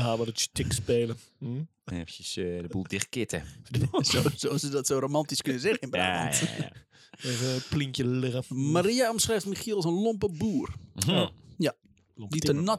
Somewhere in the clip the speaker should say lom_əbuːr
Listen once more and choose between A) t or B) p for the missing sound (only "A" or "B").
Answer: B